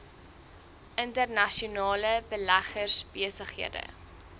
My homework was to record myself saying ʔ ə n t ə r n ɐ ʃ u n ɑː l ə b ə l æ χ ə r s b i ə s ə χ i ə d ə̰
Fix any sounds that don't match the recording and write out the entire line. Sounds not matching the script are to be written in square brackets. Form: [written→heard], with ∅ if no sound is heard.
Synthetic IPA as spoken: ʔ ə n t ə r n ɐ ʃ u n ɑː l ə b ə l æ χ ə r s b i ə s ə χ i ə d ə̰

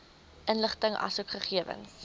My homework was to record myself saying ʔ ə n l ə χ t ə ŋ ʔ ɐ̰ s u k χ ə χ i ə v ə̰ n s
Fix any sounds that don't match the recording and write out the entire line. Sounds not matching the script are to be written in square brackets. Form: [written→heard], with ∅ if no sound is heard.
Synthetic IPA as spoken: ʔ ə n l ə χ t ə ŋ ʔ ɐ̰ s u k χ ə χ i ə v ə̰ n s

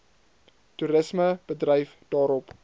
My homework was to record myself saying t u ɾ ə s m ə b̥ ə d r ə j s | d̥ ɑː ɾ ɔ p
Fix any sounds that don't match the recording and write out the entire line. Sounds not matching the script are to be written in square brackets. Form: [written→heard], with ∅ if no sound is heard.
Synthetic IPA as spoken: t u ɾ ə s m ə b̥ ə d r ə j [s→f] | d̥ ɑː ɾ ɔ p

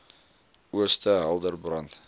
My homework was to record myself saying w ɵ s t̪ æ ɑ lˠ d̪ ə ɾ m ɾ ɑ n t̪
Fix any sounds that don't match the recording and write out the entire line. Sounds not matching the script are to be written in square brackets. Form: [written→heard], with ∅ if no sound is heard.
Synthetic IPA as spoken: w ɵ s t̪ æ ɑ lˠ d̪ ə ɾ [m→b] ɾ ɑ n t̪

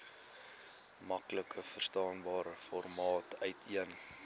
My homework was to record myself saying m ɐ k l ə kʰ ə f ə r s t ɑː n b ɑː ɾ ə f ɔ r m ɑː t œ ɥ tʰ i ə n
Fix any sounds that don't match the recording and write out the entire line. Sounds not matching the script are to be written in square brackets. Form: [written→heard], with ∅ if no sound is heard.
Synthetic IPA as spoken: m ɐ k l ə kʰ ə f ə r s t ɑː n b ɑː ɾ ə f ɔ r m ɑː t œ ɥ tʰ i ə n

